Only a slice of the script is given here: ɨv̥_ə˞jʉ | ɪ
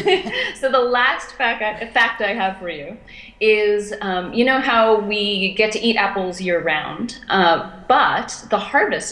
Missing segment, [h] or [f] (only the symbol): f